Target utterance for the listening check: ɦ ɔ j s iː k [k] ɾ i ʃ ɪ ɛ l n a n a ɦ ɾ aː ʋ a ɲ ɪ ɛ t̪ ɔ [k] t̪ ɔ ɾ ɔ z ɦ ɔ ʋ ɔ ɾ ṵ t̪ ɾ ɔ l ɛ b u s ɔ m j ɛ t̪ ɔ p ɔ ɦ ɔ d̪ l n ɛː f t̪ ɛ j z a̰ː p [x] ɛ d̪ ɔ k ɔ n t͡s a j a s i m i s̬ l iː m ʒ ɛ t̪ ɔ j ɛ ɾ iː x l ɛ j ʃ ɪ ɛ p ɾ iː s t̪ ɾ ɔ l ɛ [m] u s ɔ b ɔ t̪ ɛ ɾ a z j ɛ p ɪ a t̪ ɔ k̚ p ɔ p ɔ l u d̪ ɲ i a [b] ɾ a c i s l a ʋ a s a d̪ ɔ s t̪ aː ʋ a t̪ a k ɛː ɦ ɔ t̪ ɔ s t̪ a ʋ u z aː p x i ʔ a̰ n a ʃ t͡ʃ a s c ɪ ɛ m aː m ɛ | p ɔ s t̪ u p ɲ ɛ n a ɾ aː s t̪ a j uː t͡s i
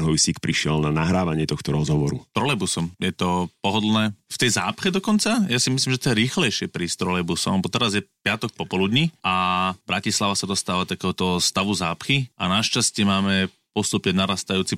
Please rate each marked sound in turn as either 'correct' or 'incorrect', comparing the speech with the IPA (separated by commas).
incorrect, incorrect, correct, incorrect, correct